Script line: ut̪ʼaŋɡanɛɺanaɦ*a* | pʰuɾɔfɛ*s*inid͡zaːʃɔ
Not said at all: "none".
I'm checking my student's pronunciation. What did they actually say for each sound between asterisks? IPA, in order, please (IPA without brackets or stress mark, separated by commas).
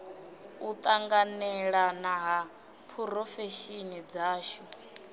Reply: a, ʃ